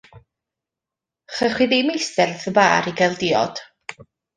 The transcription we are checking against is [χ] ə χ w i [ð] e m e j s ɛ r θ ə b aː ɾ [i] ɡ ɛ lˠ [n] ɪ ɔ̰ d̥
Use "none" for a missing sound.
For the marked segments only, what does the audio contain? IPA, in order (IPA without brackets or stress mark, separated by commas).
χ, ð, i, d